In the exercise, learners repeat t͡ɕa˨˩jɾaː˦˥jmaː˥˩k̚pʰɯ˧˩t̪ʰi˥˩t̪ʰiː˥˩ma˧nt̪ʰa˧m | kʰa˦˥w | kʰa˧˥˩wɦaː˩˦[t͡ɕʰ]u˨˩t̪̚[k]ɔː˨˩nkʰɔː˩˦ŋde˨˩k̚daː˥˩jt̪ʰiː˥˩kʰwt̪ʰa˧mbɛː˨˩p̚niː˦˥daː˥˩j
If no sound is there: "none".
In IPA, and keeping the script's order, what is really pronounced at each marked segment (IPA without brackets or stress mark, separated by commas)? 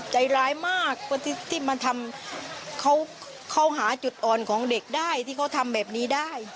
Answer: t͡ɕ, ʔ